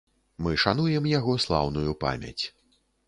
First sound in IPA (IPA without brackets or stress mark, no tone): m